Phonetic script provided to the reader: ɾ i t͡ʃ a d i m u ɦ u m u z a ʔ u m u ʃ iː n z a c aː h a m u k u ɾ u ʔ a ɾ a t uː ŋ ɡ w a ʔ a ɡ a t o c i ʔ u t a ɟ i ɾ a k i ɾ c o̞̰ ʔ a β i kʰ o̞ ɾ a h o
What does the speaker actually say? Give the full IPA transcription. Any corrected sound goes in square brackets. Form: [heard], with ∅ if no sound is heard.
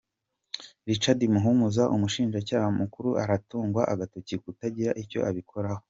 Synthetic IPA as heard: ɾ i t͡ʃ a d i m u ɦ u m u z a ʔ u m u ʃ iː n [ʒ] a c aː h a m u k u ɾ u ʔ a ɾ a t uː ŋ ɡ w a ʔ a ɡ a t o c i [k] u t a ɟ i ɾ a [ʔ] i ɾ c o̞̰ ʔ a β i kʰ o̞ ɾ a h o